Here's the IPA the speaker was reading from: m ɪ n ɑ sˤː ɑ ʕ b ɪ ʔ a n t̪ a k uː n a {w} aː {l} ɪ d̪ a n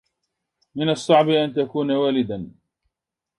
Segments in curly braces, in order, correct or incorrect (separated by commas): correct, correct